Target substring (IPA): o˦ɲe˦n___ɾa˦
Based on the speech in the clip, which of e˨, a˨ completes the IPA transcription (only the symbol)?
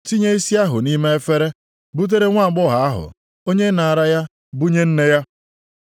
a˨